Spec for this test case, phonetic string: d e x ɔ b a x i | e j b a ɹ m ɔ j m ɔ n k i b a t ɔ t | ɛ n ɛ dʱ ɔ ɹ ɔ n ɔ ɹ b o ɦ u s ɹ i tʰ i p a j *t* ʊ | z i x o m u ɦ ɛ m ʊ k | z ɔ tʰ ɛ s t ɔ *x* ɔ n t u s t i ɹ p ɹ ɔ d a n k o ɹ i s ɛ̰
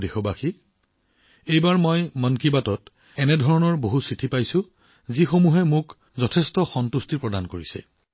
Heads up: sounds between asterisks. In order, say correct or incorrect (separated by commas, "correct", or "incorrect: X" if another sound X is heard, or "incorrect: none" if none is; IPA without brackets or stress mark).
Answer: incorrect: s, correct